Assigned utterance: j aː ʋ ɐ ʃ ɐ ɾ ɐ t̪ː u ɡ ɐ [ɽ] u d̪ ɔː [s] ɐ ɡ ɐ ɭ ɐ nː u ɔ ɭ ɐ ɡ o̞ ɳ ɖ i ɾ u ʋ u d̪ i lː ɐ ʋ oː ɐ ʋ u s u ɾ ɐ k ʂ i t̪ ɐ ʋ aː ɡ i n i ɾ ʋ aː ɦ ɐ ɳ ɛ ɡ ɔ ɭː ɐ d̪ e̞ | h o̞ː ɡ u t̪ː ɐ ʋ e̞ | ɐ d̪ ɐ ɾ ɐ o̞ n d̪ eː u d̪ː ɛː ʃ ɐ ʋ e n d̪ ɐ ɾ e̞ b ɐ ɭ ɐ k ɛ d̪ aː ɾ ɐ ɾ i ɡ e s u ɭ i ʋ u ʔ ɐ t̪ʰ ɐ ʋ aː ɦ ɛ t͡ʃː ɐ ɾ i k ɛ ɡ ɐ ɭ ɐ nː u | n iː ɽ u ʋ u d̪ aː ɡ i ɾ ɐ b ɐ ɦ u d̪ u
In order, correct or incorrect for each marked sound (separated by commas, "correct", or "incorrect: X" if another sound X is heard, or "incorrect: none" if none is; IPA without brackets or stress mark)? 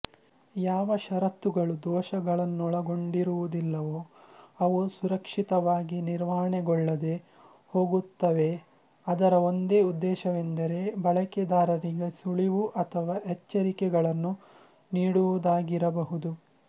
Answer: incorrect: ɭ, incorrect: ʃ